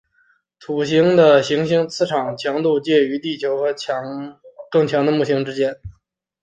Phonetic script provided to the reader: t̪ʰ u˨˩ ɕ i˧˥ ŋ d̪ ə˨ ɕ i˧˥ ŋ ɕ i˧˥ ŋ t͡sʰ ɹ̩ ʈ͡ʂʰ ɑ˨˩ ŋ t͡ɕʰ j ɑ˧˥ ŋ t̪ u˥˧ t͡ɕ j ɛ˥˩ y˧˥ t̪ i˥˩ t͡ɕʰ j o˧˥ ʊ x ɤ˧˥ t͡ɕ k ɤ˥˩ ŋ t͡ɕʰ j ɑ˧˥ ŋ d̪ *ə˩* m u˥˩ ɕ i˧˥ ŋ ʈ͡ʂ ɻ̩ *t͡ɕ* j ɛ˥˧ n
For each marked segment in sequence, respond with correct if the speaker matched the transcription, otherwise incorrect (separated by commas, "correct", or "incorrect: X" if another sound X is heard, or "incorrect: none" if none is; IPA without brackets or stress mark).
incorrect: ə˧, correct